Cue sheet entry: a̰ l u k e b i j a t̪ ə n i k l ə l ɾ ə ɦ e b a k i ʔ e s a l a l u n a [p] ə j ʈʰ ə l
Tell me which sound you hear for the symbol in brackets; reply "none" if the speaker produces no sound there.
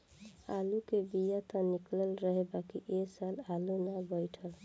b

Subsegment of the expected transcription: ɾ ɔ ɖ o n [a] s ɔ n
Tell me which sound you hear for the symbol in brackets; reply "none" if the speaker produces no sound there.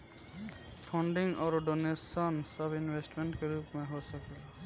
e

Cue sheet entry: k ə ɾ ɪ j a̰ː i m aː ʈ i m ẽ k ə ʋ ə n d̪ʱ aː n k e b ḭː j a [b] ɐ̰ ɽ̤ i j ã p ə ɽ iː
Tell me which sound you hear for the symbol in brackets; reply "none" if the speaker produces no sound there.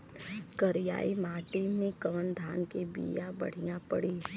b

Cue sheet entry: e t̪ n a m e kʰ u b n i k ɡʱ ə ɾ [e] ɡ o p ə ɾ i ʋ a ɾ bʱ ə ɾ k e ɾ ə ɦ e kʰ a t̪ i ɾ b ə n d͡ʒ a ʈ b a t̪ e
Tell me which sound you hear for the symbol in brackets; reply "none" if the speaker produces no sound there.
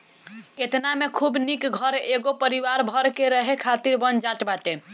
e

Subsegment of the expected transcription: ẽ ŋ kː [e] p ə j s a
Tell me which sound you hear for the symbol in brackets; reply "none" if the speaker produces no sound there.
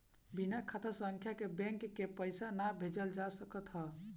e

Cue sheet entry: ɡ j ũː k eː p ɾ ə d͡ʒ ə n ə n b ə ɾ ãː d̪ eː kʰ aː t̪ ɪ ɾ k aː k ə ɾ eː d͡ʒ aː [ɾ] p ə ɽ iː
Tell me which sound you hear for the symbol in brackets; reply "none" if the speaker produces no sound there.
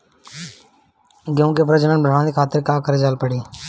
l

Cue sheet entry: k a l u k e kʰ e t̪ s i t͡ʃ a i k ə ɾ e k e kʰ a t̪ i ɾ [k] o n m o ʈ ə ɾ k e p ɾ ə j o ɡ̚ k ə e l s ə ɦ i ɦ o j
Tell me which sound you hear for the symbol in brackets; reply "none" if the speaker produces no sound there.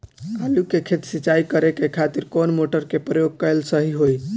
k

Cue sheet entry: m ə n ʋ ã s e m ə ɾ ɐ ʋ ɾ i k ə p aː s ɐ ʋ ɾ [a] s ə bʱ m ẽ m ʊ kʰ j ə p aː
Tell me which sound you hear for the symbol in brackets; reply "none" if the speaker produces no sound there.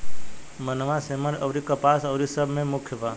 i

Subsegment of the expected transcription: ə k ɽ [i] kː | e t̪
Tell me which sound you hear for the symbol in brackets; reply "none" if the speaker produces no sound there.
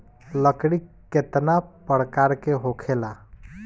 i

